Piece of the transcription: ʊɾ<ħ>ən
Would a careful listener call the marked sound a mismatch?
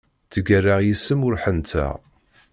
no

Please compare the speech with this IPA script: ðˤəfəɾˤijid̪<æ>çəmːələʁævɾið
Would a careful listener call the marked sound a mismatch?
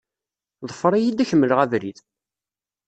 no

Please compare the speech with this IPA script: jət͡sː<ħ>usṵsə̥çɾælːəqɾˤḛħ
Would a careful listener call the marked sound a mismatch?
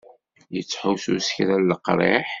no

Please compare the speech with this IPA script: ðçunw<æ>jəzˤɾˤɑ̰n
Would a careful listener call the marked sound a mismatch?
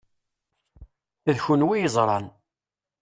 yes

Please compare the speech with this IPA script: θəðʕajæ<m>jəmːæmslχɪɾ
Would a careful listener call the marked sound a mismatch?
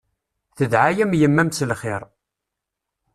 no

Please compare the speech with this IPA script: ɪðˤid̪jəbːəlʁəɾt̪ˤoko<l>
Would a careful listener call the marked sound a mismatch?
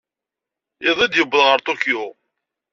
yes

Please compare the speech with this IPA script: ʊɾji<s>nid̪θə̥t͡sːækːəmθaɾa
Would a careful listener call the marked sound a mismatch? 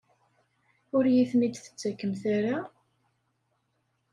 yes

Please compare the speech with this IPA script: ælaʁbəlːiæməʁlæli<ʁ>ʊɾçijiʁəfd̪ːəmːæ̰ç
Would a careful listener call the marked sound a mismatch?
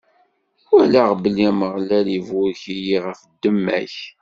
yes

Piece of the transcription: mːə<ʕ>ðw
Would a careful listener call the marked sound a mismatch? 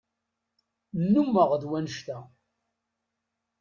yes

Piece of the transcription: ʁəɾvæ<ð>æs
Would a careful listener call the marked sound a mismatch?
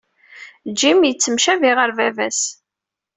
yes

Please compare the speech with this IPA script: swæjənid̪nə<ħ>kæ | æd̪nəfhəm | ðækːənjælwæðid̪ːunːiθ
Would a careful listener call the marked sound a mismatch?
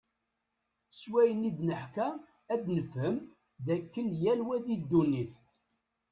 no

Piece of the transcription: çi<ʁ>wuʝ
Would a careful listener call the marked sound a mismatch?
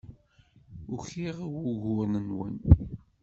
no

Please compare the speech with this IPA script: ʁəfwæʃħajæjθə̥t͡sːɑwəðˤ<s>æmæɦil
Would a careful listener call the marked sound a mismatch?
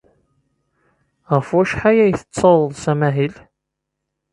no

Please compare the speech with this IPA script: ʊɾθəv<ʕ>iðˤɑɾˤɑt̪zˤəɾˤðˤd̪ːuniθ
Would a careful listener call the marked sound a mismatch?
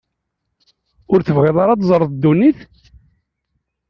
yes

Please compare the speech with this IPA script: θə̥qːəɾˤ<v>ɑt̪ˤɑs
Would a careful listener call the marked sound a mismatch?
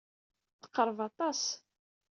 no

